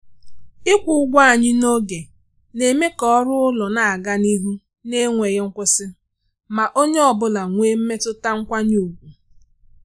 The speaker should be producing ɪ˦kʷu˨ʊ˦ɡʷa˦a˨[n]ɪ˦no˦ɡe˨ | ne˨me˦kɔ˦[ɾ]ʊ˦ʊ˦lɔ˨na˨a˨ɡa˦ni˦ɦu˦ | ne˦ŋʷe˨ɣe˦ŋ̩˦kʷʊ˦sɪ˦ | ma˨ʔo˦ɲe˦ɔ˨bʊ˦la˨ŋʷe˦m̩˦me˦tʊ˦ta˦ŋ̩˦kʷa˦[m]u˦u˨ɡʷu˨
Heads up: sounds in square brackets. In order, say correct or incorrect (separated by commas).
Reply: incorrect, correct, incorrect